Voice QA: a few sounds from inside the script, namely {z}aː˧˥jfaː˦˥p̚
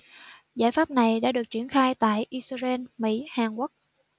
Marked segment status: correct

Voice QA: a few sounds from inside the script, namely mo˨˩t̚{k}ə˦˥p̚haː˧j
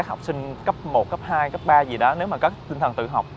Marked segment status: correct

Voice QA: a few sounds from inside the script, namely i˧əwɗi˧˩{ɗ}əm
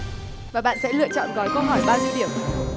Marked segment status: incorrect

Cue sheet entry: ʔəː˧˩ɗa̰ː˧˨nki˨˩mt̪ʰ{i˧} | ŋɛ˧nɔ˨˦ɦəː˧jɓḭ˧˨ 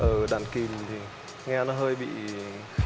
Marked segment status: incorrect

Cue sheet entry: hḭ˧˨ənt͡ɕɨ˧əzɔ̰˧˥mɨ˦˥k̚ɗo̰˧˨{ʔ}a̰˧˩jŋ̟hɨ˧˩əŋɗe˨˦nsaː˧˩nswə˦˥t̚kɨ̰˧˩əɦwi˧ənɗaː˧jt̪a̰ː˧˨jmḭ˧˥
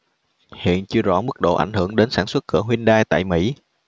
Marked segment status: correct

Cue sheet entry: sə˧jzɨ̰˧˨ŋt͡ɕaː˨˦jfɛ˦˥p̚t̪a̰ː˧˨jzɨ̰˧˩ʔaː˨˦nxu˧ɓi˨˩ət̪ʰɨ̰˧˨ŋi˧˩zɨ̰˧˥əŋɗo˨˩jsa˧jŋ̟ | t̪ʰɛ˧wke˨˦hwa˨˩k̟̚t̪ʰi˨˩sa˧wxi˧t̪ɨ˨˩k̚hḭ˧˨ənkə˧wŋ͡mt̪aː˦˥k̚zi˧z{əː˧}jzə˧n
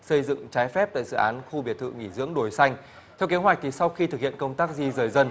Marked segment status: incorrect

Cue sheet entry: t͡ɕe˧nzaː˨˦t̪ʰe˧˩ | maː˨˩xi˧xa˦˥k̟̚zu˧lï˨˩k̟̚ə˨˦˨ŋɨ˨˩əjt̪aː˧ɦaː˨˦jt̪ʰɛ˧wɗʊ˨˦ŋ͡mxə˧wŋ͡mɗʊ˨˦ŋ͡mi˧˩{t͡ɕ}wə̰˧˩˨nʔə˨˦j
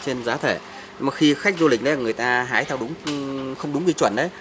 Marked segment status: correct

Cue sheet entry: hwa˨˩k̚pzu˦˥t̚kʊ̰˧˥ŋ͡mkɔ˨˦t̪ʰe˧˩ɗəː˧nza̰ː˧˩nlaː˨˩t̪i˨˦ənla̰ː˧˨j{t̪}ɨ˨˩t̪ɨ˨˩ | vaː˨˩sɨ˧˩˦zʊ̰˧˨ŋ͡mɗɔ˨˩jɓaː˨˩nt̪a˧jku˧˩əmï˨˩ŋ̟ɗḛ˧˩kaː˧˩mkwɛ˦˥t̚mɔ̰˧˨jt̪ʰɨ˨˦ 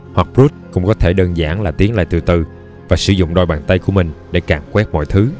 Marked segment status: correct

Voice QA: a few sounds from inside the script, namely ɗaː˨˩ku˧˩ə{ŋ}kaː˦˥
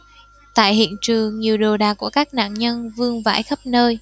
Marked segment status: incorrect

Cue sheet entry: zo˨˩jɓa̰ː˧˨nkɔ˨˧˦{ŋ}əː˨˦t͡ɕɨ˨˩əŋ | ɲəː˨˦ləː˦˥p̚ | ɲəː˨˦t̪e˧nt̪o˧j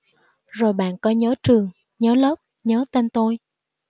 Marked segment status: incorrect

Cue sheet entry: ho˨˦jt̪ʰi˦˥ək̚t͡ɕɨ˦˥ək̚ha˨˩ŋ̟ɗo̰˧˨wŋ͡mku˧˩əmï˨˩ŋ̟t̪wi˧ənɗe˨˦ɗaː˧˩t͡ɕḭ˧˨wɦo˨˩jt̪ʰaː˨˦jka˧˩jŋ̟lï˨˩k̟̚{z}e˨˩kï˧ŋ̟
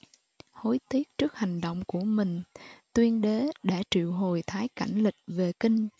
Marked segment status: incorrect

